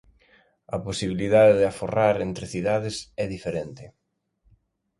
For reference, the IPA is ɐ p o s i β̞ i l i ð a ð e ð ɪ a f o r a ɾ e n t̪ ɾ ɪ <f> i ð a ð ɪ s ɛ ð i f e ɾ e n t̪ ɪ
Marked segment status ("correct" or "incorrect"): incorrect